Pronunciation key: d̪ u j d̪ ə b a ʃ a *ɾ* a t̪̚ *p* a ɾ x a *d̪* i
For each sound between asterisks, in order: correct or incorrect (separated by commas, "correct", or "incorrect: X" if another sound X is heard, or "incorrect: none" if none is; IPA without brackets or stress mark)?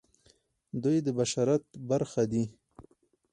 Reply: correct, incorrect: b, correct